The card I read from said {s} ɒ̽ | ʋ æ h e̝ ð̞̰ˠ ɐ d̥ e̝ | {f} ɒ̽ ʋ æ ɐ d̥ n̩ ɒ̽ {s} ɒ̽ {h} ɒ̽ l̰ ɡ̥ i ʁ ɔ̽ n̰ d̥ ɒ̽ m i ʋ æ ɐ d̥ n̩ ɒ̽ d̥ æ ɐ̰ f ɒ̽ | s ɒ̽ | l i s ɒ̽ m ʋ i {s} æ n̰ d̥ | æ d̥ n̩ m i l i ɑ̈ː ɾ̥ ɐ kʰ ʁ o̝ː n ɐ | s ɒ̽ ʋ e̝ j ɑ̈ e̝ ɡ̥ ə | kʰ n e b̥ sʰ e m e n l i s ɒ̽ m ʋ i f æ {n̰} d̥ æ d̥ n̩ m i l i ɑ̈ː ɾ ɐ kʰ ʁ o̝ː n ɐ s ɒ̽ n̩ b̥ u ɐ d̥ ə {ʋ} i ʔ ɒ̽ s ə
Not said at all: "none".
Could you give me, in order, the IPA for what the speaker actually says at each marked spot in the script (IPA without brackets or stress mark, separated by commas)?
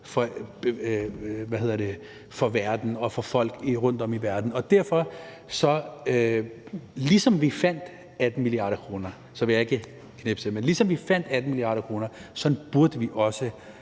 f, f, f, f, f, n̰, ʋ